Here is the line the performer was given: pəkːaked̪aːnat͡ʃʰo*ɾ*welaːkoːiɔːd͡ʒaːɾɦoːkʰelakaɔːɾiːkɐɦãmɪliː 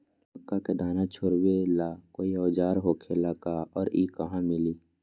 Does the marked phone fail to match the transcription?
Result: no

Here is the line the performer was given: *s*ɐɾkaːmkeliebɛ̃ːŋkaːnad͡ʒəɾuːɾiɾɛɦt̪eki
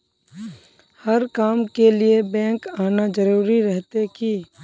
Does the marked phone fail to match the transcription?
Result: yes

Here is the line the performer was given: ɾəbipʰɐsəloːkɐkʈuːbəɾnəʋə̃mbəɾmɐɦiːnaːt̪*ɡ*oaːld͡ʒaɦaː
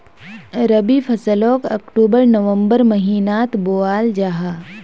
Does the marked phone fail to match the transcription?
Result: yes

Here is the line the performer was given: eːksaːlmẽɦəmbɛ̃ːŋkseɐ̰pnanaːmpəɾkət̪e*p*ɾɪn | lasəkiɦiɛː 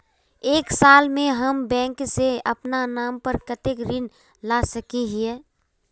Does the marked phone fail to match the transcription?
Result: yes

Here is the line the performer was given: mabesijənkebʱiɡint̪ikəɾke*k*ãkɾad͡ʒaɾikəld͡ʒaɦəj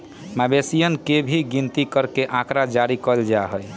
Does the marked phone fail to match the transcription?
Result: yes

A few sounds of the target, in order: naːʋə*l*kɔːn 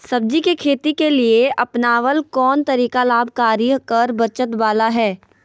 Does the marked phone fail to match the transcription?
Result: no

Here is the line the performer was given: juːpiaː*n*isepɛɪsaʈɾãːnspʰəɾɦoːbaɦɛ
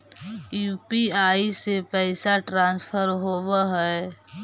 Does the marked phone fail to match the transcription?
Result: yes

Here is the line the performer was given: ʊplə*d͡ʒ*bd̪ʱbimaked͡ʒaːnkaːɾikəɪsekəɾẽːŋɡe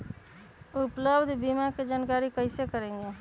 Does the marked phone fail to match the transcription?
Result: yes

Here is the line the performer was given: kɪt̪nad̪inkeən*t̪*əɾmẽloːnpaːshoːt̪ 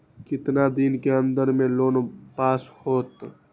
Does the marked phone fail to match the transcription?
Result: yes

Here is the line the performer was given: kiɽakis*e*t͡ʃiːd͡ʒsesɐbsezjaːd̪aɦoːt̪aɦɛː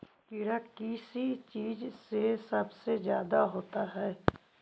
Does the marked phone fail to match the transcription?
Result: yes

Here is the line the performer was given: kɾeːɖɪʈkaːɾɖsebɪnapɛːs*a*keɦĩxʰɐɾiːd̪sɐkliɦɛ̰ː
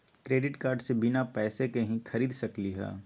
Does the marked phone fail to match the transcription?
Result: yes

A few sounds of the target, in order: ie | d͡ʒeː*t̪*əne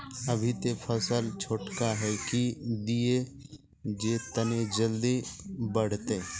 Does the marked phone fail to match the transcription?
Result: no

